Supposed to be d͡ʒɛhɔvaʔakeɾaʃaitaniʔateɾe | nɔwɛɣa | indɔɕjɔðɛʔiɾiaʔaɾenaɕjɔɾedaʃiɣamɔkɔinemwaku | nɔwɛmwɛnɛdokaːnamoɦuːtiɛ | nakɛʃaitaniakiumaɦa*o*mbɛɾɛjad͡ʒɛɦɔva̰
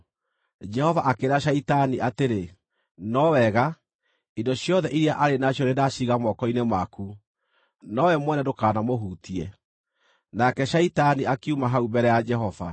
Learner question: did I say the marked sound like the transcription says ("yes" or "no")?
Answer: no